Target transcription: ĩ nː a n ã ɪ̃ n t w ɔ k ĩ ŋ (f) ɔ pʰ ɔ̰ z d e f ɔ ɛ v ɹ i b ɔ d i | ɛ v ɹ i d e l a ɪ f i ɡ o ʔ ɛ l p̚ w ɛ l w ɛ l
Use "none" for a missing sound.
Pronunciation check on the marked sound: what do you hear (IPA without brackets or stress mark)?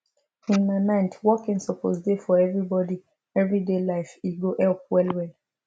s